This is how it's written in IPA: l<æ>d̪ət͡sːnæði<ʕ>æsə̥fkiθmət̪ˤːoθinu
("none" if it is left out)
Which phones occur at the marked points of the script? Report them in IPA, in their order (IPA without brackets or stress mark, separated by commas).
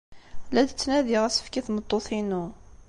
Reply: æ, ʁ